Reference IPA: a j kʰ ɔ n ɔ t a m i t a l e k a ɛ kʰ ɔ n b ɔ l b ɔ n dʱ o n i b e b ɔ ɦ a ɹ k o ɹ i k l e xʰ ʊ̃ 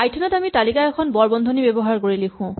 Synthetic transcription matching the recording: a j tʰ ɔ n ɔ t a m i t a l i k a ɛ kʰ ɔ n b ɔ ɹ b ɔ n dʱ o n i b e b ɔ ɦ a ɹ k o ɹ i l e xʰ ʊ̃